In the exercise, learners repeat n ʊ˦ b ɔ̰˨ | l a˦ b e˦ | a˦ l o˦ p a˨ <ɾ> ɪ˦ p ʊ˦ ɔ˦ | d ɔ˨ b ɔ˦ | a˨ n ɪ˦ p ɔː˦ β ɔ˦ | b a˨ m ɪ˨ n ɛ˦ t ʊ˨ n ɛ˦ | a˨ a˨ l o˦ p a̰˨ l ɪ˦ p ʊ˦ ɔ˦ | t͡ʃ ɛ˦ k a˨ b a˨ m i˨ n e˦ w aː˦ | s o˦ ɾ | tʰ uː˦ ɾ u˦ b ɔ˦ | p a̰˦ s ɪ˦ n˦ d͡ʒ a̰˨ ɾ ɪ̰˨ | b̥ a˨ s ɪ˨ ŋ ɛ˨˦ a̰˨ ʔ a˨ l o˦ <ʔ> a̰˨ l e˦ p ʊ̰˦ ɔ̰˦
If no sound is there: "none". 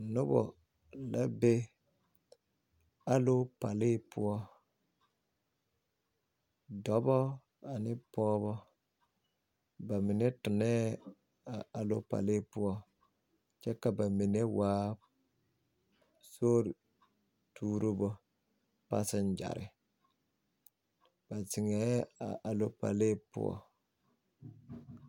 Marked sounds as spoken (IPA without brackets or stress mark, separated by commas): l, p